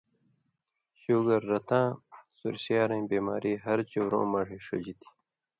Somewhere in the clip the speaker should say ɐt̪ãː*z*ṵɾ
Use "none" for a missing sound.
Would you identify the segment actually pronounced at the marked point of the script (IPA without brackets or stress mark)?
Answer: s